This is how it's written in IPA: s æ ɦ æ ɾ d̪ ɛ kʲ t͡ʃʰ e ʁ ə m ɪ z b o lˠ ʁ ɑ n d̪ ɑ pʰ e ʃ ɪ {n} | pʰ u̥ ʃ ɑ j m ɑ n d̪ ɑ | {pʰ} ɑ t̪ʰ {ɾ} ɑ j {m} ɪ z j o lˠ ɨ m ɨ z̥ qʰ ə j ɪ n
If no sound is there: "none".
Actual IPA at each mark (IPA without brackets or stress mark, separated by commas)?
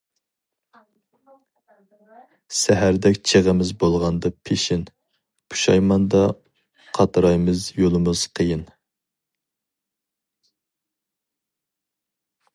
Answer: n, qʰ, ɾ, m